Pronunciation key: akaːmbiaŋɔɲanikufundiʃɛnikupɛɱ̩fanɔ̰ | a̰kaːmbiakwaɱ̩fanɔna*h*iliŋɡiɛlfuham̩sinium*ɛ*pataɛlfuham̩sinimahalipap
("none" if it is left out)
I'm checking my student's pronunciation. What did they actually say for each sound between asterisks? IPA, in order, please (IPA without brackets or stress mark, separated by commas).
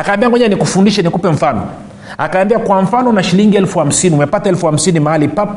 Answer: ʃ, ɛ